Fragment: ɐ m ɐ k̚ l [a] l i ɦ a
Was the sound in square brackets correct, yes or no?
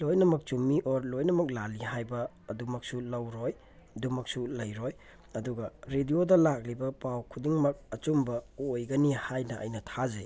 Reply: yes